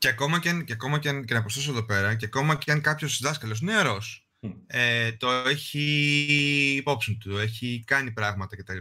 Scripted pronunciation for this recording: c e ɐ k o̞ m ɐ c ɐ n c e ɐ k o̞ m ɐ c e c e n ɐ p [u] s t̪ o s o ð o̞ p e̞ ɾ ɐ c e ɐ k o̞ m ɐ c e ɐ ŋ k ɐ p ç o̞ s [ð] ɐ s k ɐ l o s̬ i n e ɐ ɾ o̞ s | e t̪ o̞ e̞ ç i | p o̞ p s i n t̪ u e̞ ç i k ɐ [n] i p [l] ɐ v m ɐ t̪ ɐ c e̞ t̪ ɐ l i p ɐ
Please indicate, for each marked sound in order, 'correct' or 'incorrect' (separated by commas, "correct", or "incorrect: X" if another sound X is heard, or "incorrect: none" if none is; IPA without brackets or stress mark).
incorrect: o, correct, correct, incorrect: ɾ